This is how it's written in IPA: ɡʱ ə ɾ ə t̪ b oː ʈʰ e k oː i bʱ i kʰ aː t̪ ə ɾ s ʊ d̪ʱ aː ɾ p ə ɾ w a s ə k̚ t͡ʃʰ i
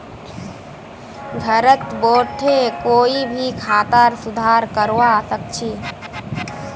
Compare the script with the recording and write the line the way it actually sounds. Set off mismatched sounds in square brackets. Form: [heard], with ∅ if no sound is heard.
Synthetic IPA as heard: ɡʱ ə ɾ ə t̪ b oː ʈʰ e k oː i bʱ i kʰ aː t̪ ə ɾ s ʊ d̪ʱ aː ɾ [k] ə ɾ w a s ə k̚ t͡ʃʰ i